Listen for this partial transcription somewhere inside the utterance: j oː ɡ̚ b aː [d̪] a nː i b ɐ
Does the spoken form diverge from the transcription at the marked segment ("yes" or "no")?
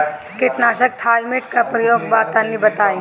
yes